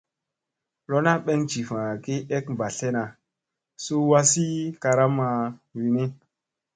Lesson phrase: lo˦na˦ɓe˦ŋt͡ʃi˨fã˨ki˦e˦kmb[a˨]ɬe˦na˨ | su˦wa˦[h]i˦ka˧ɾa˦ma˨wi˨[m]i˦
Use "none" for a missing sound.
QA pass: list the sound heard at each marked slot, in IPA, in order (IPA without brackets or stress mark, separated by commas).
a˨, s, n